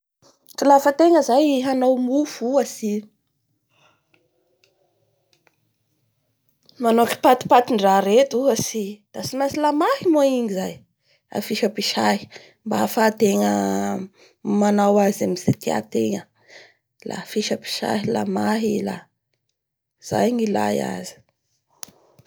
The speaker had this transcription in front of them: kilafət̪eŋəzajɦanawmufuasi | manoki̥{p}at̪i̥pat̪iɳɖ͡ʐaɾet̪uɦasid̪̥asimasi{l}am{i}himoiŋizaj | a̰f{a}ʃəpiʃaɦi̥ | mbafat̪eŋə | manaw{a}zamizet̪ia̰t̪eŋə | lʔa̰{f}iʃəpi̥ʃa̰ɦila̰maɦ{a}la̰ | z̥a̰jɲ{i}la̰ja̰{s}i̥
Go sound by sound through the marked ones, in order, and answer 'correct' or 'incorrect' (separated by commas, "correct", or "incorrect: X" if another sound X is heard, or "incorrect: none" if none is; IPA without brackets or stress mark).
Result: correct, correct, incorrect: a, incorrect: i, correct, correct, incorrect: i, correct, incorrect: z